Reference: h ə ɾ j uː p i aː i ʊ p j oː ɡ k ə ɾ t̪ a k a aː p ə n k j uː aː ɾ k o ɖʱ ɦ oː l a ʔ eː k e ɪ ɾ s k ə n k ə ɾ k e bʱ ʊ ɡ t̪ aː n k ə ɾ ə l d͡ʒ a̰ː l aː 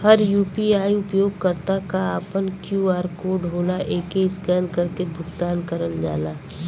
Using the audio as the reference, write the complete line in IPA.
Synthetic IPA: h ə ɾ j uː p i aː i ʊ p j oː ɡ k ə ɾ t̪ a k a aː p ə n k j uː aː ɾ k o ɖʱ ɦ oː l a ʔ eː k e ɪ s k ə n k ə ɾ k e bʱ ʊ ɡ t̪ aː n k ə ɾ ə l d͡ʒ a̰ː l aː